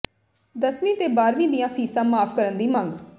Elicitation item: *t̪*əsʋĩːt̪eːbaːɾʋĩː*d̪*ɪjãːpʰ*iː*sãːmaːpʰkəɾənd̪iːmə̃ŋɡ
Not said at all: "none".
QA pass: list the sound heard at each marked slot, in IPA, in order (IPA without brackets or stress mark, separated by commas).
d̪, d̪, iː